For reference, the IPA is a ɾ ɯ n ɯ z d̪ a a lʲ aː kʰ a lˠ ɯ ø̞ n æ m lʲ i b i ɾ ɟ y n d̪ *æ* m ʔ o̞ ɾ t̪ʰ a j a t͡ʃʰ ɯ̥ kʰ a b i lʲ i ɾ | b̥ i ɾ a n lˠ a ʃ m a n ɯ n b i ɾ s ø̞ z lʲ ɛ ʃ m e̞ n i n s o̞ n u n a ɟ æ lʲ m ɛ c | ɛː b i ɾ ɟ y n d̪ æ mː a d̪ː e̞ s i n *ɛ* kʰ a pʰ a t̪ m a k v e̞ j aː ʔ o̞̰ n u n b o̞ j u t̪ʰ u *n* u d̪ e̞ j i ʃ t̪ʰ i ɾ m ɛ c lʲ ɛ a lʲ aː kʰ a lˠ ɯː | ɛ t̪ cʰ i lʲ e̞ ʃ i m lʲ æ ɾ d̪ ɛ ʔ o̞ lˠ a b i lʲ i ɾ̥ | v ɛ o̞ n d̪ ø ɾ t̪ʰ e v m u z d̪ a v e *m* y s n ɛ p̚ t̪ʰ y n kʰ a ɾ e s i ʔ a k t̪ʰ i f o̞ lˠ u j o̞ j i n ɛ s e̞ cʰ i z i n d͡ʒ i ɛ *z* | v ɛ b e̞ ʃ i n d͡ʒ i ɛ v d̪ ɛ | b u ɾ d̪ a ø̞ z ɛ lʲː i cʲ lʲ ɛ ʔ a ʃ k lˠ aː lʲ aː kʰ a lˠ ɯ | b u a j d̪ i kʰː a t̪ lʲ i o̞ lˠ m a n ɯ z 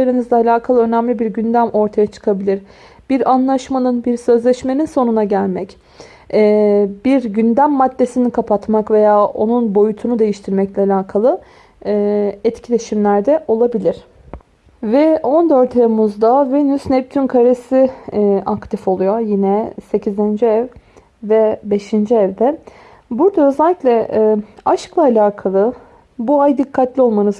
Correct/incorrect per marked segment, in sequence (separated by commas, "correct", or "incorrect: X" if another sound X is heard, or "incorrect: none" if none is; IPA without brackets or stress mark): correct, incorrect: i, correct, incorrect: n, incorrect: v